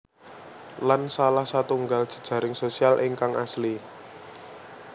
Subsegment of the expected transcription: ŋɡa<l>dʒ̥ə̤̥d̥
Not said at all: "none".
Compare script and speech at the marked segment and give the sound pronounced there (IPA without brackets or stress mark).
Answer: l